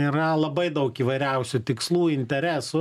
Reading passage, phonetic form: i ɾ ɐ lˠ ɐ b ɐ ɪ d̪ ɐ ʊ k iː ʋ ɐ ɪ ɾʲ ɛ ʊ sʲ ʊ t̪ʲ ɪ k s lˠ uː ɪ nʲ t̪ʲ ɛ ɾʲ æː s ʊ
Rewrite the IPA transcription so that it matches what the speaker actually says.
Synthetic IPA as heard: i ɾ ɐ lˠ ɐ b ɐ ɪ d̪ ɐ ʊ k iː ʋ ɐ ɪ ɾʲ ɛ ʊ sʲ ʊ t̪ʲ ɪ k s lˠ uː ɪ nʲ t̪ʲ ɛ ɾʲ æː s ʊ